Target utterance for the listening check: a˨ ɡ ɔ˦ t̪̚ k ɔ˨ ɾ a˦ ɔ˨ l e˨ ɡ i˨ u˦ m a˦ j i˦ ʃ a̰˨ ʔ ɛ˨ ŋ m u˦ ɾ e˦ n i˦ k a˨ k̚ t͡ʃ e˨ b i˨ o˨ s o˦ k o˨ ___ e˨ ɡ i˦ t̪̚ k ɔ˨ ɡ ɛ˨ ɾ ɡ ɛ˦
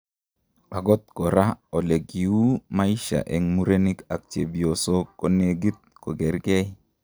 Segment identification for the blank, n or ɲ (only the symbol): n